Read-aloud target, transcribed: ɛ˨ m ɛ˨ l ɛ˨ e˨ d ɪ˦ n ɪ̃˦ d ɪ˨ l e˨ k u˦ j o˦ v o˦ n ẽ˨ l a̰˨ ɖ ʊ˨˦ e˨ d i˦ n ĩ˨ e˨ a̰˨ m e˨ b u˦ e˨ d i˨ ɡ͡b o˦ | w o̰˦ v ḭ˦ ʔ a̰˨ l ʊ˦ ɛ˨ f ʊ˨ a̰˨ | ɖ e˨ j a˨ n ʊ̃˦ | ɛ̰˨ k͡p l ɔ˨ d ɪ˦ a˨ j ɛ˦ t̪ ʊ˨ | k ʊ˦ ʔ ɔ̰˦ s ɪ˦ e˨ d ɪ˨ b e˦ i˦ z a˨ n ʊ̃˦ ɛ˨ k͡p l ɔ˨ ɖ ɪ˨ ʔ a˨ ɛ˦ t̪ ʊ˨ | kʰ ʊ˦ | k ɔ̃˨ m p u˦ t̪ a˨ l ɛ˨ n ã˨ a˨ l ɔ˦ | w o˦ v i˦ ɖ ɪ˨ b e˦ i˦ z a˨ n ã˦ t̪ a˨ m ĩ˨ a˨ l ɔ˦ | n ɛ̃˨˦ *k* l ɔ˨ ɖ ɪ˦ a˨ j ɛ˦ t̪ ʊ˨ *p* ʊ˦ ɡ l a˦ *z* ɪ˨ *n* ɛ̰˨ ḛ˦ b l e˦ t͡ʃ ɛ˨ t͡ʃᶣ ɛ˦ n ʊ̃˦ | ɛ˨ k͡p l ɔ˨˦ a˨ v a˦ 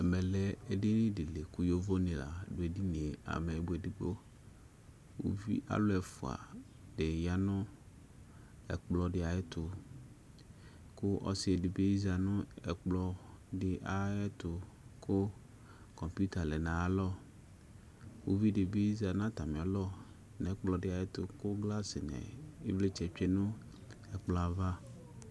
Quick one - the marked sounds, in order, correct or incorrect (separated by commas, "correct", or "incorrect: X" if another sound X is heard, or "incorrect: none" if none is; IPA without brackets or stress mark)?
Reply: incorrect: k͡p, incorrect: k, incorrect: s, correct